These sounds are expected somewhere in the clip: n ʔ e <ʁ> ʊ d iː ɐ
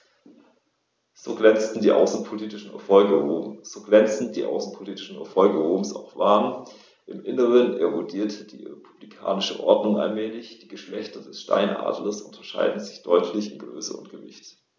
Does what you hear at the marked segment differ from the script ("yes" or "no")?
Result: no